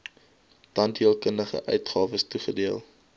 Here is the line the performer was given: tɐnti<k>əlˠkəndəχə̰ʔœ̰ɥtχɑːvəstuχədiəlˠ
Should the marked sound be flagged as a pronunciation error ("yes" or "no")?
yes